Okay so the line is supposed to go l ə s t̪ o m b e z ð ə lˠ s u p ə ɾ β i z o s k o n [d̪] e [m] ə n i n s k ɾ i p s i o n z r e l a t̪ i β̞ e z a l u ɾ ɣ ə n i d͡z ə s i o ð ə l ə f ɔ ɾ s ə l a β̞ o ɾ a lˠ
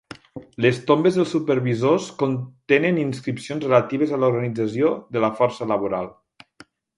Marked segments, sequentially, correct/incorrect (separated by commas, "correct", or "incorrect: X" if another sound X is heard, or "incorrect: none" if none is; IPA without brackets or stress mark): incorrect: t̪, incorrect: n